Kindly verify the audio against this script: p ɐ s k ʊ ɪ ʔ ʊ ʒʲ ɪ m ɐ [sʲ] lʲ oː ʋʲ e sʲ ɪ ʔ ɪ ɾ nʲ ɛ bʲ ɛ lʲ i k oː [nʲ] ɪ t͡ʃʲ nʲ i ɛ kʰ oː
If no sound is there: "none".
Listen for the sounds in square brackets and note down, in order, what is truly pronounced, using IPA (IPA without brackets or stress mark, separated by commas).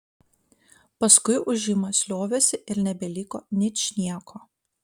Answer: sʲ, nʲ